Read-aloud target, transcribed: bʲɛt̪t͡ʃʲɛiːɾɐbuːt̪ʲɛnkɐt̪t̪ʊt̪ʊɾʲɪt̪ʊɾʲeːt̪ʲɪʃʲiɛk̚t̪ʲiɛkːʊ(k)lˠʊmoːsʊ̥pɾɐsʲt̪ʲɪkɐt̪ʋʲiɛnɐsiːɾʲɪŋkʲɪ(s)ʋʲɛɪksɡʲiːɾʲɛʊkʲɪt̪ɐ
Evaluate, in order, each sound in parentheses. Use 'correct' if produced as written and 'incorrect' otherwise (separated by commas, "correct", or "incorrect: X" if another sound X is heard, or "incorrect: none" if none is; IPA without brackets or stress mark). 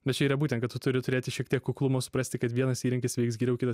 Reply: correct, correct